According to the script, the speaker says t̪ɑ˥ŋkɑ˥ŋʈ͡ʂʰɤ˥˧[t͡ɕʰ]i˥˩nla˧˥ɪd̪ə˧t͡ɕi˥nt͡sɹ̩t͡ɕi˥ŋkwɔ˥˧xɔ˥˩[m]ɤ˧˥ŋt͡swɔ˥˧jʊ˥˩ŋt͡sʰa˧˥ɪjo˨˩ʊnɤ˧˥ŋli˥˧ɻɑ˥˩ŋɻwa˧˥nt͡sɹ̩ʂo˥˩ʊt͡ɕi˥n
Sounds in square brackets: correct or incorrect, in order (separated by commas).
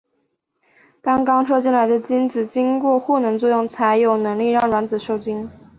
incorrect, incorrect